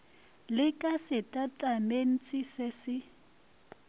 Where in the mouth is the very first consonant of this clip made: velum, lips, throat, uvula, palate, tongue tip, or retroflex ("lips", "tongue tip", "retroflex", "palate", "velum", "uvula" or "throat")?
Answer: tongue tip